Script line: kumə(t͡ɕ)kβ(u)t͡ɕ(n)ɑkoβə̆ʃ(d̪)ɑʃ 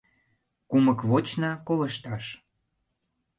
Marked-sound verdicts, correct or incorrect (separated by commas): incorrect, incorrect, correct, incorrect